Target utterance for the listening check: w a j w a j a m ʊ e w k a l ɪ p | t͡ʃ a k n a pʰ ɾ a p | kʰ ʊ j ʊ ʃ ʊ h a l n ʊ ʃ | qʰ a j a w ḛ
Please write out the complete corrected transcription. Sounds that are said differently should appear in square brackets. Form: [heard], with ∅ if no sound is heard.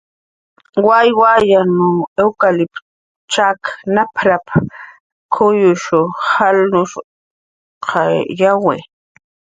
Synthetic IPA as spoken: w a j w a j a [n] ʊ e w k a l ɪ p | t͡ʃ a k n a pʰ ɾ a p | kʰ ʊ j ʊ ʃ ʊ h a l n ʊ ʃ | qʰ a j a w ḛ